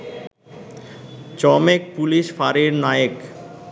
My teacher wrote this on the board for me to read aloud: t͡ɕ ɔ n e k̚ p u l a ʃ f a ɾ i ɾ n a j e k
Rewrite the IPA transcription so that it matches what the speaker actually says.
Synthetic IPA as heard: t͡ɕ ɔ m e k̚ p u l i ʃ f a ɾ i ɾ n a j e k